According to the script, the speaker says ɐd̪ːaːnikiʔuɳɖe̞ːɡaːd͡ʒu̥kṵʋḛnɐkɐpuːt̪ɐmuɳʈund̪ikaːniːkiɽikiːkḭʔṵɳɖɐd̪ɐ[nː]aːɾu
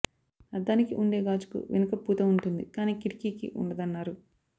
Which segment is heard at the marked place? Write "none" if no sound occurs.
nː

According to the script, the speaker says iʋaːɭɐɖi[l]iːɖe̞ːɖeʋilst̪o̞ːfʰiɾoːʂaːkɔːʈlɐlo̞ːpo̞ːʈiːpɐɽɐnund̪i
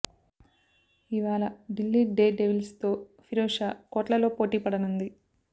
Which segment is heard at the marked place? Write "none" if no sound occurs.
lː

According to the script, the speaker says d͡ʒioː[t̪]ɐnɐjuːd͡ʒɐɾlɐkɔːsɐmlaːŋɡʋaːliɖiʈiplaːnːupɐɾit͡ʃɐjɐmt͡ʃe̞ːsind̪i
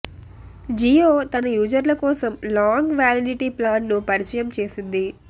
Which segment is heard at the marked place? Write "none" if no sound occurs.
t̪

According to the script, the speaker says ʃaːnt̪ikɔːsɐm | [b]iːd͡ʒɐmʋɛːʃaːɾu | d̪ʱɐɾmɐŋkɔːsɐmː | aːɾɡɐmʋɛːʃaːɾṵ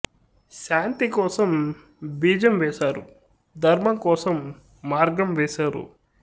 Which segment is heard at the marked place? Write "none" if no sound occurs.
b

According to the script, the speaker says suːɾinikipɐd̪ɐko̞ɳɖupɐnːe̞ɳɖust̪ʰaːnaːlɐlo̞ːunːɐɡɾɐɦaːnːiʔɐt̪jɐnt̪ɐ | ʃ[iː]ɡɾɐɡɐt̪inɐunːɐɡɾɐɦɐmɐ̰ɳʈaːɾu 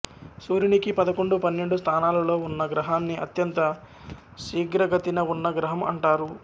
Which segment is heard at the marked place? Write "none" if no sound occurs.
iː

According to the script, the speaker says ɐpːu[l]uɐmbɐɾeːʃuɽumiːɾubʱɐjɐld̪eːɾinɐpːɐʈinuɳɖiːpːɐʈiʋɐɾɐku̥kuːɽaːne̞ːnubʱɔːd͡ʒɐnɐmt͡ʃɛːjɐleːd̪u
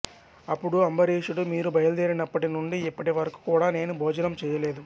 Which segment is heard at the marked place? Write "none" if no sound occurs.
ɽ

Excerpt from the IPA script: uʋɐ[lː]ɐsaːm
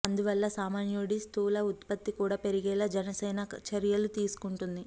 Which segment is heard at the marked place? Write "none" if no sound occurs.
lː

